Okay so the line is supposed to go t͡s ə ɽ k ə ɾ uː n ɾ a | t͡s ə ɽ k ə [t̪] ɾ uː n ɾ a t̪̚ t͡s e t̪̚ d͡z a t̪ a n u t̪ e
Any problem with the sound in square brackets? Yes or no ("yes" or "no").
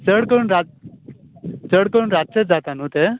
yes